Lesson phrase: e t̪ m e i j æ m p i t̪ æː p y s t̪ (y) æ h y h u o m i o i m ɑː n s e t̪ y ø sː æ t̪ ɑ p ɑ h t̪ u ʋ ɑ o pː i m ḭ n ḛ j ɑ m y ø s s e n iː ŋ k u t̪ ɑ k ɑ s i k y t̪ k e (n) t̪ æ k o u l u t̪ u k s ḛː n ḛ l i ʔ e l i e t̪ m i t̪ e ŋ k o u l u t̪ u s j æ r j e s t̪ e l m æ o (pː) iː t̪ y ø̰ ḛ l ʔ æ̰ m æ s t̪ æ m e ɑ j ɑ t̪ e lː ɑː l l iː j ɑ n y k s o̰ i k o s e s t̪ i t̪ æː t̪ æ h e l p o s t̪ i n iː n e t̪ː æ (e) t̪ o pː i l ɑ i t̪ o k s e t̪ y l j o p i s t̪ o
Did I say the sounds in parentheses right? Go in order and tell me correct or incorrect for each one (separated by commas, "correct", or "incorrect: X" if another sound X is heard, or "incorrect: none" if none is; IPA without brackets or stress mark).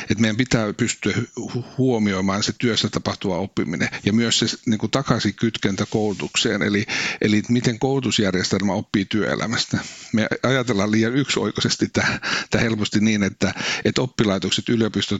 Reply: correct, correct, correct, correct